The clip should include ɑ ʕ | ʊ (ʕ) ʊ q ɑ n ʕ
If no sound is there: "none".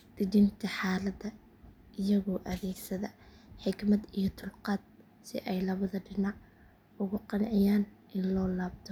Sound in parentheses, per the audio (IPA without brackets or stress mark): ɣ